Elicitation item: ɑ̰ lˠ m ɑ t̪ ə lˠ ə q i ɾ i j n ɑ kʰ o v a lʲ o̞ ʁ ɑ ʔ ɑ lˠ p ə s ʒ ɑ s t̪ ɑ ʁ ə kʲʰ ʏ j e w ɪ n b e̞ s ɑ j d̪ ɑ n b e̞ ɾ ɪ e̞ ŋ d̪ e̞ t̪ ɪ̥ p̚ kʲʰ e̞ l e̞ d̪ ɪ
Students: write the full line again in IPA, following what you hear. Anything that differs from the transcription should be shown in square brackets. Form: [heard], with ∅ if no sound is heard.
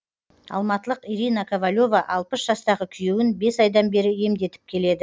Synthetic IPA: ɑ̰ lˠ m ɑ t̪ ə lˠ ə q i ɾ i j n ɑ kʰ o v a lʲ o̞ [v] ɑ ʔ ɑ lˠ p ə s ʒ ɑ s t̪ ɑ ʁ ə kʲʰ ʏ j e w ɪ n b e̞ s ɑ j d̪ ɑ n b e̞ ɾ ɪ e̞ [m] d̪ e̞ t̪ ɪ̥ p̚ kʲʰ e̞ l e̞ d̪ ɪ